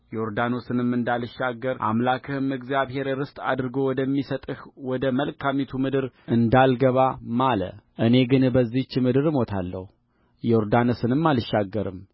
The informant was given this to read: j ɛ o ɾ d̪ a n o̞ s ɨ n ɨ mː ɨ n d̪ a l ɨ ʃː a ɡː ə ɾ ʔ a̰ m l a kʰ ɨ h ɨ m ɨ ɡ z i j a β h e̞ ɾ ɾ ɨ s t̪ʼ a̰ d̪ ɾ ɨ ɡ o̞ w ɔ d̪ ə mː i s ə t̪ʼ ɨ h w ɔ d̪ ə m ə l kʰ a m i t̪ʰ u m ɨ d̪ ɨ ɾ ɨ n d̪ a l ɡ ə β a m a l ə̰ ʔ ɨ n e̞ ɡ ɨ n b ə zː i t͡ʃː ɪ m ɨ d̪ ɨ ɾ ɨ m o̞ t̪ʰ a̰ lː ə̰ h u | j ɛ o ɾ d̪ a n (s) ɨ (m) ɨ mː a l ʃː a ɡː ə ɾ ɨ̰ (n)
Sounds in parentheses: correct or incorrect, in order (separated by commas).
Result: correct, incorrect, incorrect